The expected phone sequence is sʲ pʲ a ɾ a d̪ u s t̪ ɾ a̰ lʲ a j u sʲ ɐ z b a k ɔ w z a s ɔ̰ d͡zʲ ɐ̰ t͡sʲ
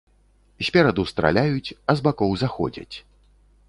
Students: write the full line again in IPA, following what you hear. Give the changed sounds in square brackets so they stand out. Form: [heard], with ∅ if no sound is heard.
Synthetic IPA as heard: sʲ pʲ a ɾ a d̪ u s t̪ ɾ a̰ lʲ a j u [t͡sʲ] ɐ z b a k ɔ w z a [x] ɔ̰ d͡zʲ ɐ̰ t͡sʲ